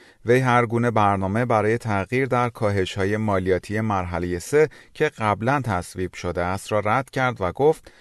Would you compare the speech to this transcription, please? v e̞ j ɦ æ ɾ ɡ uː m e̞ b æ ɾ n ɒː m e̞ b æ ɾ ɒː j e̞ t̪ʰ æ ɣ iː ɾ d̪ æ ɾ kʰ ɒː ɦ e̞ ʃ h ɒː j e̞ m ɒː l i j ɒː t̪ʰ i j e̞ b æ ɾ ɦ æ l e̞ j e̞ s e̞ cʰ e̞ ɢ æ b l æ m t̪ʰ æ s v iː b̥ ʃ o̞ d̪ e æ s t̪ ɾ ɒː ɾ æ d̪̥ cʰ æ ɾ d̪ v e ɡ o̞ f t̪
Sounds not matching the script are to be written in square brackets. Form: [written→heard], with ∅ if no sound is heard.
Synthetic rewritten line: v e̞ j ɦ æ ɾ ɡ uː [m→n] e̞ b æ ɾ n ɒː m e̞ b æ ɾ ɒː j e̞ t̪ʰ æ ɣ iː ɾ d̪ æ ɾ kʰ ɒː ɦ e̞ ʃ h ɒː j e̞ m ɒː l i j ɒː t̪ʰ i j e̞ [b→m] æ ɾ ɦ æ l e̞ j e̞ s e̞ cʰ e̞ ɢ æ b l æ [m→n] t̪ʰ æ s v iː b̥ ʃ o̞ d̪ e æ s t̪ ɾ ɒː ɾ æ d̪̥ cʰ æ ɾ d̪ v [e→æ] ɡ o̞ f t̪